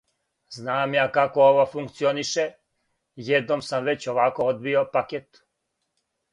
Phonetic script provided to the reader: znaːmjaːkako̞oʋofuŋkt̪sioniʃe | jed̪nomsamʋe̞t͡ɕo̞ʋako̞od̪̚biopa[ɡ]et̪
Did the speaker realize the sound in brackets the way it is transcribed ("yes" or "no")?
no